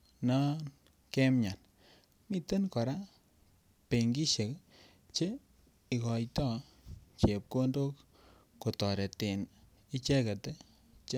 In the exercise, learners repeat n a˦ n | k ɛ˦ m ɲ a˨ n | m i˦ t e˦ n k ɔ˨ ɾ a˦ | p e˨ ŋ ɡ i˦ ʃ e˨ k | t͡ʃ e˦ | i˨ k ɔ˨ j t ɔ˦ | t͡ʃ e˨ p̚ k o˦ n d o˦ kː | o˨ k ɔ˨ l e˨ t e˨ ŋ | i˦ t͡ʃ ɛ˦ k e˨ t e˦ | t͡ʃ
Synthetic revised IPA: n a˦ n | k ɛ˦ m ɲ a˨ n | m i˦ t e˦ n k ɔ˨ ɾ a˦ | p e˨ ŋ ɡ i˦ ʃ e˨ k | t͡ʃ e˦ | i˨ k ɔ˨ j t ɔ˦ | t͡ʃ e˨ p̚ k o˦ n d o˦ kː | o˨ t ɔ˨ ɾ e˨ t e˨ n | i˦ t͡ʃ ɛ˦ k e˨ t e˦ | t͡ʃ